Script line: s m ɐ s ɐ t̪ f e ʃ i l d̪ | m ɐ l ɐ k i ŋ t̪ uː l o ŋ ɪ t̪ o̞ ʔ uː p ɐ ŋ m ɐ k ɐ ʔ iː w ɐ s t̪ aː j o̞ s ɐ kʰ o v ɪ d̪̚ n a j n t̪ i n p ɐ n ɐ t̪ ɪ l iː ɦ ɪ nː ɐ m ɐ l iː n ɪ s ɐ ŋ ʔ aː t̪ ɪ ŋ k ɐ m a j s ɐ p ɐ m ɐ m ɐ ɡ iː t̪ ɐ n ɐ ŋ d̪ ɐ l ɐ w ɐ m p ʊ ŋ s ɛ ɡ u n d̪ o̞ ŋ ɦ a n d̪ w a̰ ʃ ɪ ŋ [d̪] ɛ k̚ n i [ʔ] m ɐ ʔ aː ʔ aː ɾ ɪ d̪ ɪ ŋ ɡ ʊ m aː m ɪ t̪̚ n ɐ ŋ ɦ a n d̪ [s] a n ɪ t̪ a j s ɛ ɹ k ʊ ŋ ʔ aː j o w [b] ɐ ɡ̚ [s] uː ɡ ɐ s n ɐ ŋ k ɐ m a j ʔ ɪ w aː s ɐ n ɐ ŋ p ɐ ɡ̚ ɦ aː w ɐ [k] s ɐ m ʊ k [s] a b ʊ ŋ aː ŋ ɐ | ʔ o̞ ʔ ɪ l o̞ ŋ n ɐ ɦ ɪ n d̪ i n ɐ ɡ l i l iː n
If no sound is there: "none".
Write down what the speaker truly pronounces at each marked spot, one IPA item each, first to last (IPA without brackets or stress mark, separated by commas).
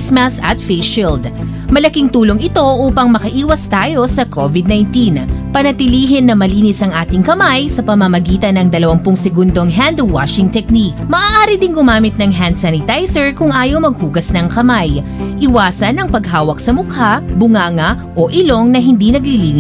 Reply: t̪, k, s, m, h, k, h